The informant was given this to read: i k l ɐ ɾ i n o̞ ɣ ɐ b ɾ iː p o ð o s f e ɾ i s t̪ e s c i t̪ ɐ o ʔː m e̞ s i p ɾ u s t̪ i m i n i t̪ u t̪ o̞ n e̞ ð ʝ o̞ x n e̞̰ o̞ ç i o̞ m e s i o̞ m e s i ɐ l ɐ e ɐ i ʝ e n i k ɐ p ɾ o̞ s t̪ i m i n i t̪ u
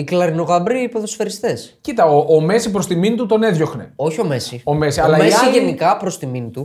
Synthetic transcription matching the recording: i k l ɐ ɾ i n o̞ ɣ ɐ b ɾ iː p o ð o s f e ɾ i s t̪ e s c i t̪ ɐ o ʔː m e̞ s i p ɾ o s t̪ i m i n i t̪ u t̪ o̞ n e̞ ð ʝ o̞ x n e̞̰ o̞ ç i o̞ m e s i o̞ m e s i ɐ l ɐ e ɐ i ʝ e n i k ɐ p ɾ o̞ s t̪ i m i n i t̪ u